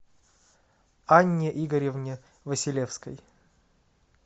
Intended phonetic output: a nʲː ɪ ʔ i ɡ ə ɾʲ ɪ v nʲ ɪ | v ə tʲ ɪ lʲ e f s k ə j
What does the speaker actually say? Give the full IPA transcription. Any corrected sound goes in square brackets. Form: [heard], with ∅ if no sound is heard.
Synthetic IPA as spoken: a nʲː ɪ ʔ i ɡ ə ɾʲ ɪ v nʲ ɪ | v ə [sʲ] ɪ lʲ e f s k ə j